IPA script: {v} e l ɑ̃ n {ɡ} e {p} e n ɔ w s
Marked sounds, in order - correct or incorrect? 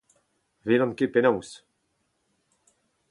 correct, incorrect, correct

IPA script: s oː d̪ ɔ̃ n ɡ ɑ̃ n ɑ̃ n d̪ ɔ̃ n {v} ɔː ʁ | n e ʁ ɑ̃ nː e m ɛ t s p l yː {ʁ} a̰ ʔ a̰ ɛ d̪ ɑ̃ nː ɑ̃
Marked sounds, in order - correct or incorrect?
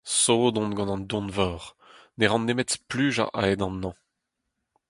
correct, incorrect

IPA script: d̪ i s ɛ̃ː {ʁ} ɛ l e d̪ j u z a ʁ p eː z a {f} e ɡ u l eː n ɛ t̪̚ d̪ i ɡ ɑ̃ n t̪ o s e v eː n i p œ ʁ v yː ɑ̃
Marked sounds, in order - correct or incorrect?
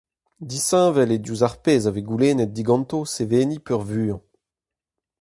incorrect, incorrect

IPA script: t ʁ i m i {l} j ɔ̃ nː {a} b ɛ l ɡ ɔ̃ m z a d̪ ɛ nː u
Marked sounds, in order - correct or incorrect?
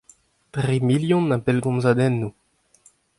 correct, correct

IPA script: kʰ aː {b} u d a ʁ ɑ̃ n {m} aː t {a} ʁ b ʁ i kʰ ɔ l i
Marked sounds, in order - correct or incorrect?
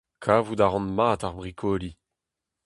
incorrect, correct, correct

